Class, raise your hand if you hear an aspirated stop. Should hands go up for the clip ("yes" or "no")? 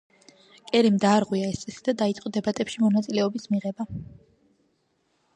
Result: no